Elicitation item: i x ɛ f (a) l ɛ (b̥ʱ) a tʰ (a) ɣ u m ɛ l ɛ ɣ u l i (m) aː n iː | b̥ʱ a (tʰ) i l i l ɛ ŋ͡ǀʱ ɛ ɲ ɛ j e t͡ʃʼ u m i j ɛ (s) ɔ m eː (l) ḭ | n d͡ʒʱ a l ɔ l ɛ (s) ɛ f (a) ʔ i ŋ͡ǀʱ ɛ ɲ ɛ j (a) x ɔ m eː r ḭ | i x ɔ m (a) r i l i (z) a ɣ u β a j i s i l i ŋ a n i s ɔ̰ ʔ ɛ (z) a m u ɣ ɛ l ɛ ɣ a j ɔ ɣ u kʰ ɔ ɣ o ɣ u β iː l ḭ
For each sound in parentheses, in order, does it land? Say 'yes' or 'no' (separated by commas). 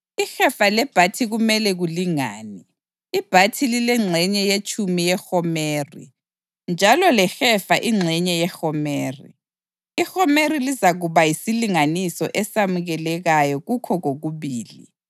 yes, yes, no, no, yes, no, no, no, yes, no, no, yes, no